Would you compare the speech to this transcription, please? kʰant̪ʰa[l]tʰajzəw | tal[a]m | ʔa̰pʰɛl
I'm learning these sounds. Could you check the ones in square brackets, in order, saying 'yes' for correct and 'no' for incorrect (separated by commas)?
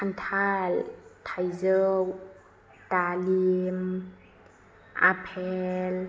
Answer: yes, no